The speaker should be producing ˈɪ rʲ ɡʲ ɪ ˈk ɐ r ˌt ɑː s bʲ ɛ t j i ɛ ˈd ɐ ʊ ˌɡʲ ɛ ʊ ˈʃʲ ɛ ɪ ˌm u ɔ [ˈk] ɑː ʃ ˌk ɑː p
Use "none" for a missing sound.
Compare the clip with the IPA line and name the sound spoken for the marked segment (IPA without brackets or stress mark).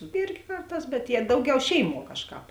k